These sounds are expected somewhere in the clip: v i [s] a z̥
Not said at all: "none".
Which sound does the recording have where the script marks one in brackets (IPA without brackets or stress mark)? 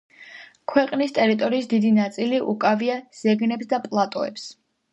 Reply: none